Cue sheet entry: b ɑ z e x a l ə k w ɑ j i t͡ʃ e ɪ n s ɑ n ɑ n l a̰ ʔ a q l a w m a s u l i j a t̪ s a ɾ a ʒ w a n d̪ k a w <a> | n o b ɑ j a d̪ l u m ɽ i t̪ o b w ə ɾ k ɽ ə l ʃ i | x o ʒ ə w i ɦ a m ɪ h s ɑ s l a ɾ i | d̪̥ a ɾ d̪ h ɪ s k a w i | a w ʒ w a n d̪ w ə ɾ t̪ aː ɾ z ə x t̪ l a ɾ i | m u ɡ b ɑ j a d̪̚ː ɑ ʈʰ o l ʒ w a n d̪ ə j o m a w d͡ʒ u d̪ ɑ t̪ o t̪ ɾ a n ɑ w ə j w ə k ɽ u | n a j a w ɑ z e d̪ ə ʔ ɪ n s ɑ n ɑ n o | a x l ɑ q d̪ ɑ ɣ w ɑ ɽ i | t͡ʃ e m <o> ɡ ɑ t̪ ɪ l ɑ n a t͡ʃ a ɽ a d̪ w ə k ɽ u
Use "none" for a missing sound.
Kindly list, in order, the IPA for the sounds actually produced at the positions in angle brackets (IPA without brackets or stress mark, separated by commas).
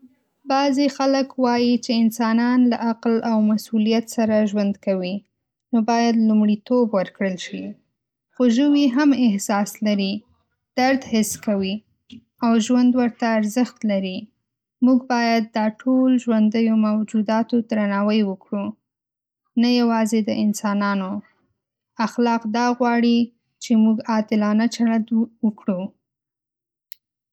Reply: i, u